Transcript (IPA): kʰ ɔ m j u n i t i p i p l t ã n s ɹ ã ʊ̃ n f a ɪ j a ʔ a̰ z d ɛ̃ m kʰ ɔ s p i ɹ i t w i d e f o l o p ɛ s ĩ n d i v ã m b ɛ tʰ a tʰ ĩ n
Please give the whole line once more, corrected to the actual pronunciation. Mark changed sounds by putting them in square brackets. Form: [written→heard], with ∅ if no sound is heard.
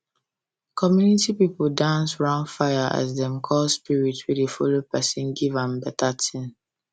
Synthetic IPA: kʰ ɔ m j u n i t i p i p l [t→d] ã n s ɹ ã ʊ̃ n f a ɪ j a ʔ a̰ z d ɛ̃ m kʰ ɔ s p i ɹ i t w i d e f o l o p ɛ s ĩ n [d→ɡ] i v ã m b ɛ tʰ a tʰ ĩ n